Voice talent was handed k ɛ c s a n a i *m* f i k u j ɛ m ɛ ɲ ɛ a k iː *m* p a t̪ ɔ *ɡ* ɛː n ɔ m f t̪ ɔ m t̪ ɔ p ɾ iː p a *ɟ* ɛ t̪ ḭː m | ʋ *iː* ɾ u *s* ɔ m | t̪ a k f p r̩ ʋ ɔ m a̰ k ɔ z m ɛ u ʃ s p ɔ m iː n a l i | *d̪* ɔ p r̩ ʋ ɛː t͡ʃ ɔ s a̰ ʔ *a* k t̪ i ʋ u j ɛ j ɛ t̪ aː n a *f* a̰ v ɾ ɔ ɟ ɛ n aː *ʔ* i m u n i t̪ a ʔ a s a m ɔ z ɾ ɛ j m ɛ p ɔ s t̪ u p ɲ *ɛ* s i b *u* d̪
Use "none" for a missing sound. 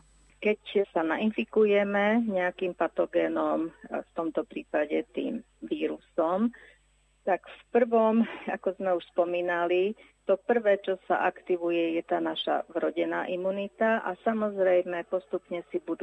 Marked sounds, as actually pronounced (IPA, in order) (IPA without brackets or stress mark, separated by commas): n, m, ɡ, ɟ, iː, s, t̪, a, ʃ, ʔ, ɛ, u